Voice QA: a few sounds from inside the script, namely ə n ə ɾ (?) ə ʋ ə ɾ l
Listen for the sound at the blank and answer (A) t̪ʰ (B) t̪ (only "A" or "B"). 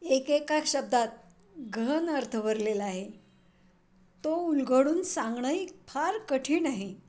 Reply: A